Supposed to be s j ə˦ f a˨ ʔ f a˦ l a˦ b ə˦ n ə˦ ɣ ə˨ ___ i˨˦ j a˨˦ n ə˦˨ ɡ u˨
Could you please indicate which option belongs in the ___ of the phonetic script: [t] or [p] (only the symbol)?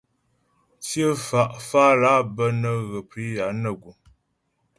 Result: p